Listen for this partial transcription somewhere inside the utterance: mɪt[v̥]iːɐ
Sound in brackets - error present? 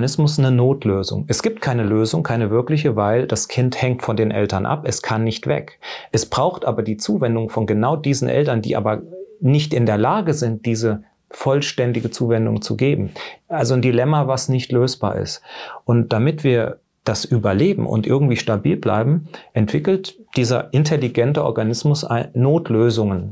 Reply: no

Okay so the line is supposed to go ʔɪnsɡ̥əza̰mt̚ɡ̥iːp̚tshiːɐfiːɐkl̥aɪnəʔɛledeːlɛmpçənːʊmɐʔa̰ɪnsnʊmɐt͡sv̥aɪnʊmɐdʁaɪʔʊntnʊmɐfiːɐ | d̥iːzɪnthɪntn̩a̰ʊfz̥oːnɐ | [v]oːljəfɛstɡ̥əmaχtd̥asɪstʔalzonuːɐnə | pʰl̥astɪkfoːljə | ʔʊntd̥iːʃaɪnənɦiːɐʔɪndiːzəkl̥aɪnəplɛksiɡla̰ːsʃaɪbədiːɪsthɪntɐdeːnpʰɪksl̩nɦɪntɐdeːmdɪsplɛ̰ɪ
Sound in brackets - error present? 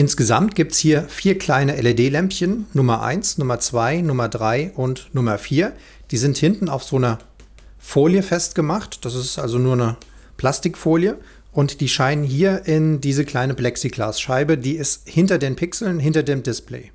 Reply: yes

